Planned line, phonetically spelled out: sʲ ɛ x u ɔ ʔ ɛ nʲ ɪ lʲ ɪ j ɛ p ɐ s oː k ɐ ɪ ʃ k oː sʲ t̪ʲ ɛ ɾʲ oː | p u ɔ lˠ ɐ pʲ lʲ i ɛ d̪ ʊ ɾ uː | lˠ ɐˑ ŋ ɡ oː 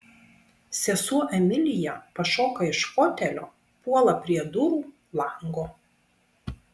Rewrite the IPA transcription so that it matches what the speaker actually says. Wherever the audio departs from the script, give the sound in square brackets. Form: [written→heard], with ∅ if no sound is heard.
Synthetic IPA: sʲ ɛ [x→s] u ɔ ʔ ɛ [nʲ→mʲ] ɪ lʲ ɪ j ɛ p ɐ [s→ʃ] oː k ɐ ɪ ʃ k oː [sʲ→∅] t̪ʲ ɛ [ɾʲ→lʲ] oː | p u ɔ lˠ ɐ pʲ [lʲ→ɾʲ] i ɛ d̪ ʊ ɾ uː | lˠ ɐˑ ŋ ɡ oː